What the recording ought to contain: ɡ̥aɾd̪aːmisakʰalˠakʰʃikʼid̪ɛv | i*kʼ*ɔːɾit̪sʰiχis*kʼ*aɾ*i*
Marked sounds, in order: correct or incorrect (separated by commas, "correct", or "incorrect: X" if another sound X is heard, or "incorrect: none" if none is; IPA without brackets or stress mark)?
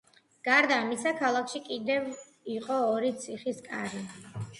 incorrect: qʼ, correct, correct